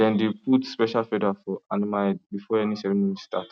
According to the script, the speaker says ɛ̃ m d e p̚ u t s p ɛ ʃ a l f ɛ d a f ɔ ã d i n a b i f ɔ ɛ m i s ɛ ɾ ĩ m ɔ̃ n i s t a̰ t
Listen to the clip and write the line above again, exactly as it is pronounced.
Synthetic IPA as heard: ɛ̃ n d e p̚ u t s p ɛ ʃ a l f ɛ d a f ɔ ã n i m a b i f ɔ ɛ n i s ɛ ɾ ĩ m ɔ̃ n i s t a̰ t